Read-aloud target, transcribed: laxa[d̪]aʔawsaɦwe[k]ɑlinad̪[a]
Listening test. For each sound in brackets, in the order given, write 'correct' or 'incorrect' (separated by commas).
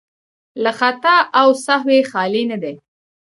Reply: incorrect, incorrect, incorrect